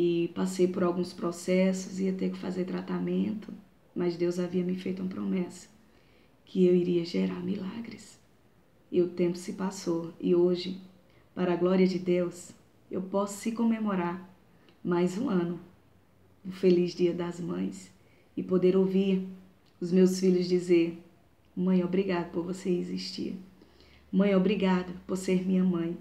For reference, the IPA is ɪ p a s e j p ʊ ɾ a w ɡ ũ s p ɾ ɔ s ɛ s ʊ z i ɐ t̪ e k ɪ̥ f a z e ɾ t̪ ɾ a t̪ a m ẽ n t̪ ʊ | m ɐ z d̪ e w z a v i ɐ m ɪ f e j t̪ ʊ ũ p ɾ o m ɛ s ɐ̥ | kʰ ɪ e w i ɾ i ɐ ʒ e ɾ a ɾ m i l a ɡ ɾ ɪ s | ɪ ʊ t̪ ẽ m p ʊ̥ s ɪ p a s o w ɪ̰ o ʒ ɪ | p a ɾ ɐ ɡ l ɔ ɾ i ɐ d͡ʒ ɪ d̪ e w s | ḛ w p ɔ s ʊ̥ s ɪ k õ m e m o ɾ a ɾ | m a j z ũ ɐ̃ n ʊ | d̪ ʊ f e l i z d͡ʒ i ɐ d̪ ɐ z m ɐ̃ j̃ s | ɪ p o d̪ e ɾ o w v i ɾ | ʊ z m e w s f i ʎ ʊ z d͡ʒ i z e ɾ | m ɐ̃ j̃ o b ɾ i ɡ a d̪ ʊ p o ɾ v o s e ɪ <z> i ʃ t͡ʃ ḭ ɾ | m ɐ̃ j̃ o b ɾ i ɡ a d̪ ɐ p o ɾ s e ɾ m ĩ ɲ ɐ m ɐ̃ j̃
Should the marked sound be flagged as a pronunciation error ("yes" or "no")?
no